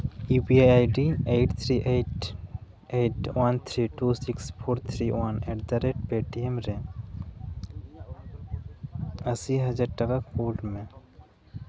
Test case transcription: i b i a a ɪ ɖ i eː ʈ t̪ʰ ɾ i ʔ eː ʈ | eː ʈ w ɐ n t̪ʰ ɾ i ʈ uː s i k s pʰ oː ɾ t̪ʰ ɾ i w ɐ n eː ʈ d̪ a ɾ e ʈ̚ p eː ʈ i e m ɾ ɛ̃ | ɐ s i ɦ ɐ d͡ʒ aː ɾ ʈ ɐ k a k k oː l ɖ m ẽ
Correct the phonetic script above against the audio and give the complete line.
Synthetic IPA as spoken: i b i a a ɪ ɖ i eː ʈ t̪ʰ ɾ i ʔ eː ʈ | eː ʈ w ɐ n t̪ʰ ɾ i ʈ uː s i k s pʰ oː ɾ t̪ʰ ɾ i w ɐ n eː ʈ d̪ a ɾ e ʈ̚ p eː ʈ i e m ɾ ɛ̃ | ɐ s i ɦ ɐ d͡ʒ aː ɾ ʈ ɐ k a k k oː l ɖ m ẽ